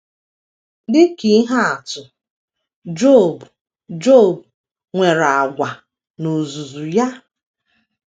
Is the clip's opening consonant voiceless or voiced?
voiced